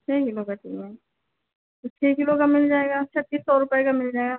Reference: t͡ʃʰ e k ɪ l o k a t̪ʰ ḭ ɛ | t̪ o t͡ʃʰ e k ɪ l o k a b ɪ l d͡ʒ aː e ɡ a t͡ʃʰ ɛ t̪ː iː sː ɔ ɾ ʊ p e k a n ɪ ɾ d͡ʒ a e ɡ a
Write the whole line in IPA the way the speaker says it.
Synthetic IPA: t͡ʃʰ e k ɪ l o k a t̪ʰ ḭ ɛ | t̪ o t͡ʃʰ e k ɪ l o k a m ɪ l d͡ʒ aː e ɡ a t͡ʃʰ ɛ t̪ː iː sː ɔ ɾ ʊ p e k a m ɪ l d͡ʒ a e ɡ a